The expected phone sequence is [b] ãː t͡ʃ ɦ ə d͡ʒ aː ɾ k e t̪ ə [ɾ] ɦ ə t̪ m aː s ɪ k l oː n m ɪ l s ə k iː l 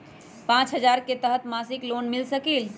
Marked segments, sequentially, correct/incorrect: incorrect, incorrect

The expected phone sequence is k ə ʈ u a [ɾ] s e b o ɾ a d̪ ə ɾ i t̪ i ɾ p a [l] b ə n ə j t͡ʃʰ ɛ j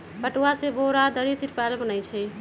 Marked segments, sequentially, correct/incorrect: incorrect, correct

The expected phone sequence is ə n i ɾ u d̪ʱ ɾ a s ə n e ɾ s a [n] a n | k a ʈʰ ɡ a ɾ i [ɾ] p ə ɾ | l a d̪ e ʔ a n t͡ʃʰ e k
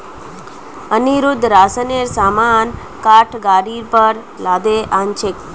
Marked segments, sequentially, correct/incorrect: incorrect, correct

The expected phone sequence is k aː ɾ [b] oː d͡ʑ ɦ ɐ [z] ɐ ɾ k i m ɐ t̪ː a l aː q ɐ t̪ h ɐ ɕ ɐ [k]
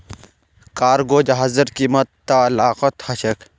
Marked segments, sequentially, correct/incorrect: incorrect, correct, correct

